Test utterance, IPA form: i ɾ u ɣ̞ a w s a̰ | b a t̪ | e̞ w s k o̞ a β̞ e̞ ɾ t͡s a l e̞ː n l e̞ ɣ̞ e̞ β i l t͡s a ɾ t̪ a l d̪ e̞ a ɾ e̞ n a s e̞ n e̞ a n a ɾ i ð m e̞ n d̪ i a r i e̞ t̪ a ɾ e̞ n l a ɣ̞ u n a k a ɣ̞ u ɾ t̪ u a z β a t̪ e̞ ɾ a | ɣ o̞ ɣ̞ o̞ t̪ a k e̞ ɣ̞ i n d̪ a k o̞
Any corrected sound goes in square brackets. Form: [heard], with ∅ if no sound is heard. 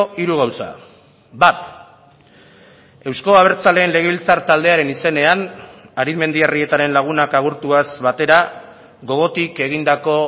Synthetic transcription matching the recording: i ɾ u ɣ̞ a w s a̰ | b a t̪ | e̞ w s k o̞ a β̞ e̞ ɾ t͡s a l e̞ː n l e̞ ɣ̞ e̞ β i l t͡s a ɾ t̪ a l d̪ e̞ a ɾ e̞ n [i] s e̞ n e̞ a n a ɾ i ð m e̞ n d̪ i a r i e̞ t̪ a ɾ e̞ n l a ɣ̞ u n a k a ɣ̞ u ɾ t̪ u a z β a t̪ e̞ ɾ a | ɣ o̞ ɣ̞ o̞ t̪ [i] k e̞ ɣ̞ i n d̪ a k o̞